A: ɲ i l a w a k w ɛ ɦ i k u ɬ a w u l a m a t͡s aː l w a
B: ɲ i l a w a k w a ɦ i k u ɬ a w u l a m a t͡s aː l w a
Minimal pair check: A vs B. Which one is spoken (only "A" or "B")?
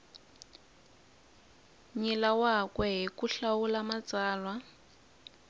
A